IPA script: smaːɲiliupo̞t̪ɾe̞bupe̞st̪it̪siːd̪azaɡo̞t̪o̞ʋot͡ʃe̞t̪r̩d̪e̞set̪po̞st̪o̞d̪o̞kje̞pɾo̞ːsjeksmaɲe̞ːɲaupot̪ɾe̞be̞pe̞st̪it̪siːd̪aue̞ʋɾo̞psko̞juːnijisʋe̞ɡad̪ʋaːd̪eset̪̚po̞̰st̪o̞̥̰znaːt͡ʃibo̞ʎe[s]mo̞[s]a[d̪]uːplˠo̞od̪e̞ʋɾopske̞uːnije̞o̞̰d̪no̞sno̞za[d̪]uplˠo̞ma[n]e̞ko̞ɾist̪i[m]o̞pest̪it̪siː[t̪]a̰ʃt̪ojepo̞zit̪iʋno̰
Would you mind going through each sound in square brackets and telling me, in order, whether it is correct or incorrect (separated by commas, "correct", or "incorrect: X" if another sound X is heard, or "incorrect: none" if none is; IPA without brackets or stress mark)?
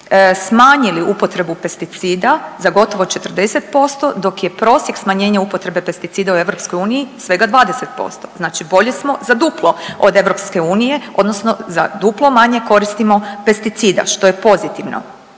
correct, incorrect: z, correct, correct, incorrect: ɲ, correct, incorrect: d̪